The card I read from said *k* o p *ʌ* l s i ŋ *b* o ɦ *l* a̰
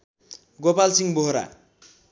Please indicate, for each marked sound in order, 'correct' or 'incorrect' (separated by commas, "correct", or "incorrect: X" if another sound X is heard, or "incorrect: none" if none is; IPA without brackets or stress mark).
incorrect: ɡ, incorrect: a, correct, incorrect: ɾ